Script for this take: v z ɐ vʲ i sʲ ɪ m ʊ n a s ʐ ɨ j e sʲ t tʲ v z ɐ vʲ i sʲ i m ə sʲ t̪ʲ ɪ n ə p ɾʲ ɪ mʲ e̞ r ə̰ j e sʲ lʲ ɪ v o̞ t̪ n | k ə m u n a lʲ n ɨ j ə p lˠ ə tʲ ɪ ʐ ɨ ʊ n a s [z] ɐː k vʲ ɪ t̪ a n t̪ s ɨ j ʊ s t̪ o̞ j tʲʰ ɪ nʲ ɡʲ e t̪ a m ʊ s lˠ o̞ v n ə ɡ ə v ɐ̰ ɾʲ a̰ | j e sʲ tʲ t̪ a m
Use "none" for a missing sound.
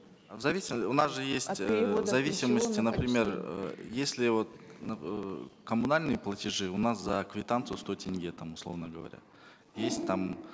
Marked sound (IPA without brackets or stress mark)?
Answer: z